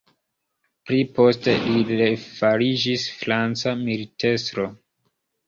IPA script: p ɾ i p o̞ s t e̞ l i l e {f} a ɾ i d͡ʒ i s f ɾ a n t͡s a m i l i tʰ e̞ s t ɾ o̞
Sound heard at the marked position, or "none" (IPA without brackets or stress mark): f